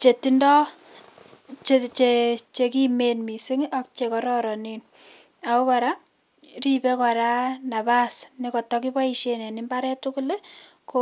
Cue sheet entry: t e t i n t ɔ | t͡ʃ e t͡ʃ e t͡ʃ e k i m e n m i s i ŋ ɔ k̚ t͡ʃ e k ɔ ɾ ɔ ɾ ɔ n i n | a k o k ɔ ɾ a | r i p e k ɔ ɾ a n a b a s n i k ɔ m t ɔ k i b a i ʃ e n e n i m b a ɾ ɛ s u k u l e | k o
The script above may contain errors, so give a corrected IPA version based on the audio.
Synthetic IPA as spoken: t͡ʃ e t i n d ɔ | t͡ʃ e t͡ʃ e t͡ʃ e k i m e n m i s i ŋ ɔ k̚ t͡ʃ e k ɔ ɾ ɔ ɾ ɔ n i n | a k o k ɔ ɾ a | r i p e k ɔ ɾ a n a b a s n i k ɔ t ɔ k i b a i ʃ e n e n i m b a ɾ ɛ t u k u l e | k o